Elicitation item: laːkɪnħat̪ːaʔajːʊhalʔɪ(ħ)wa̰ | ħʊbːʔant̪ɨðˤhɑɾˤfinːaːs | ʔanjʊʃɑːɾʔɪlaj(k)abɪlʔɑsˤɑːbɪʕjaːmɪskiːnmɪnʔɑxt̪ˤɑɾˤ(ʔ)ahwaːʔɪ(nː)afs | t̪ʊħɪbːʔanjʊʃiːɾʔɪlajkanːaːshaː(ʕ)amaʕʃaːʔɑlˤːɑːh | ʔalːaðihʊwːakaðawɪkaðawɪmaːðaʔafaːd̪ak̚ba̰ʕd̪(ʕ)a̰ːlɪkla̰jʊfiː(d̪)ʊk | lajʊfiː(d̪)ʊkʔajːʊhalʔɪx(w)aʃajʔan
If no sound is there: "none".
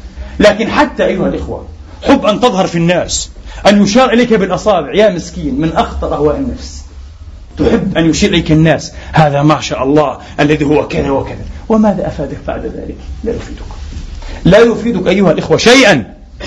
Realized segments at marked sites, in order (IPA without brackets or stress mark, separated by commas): x, k, ʔ, nː, ð, ð, d̪, d̪, w